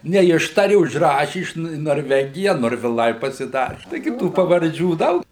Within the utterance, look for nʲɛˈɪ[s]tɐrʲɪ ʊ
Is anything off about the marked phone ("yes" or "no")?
yes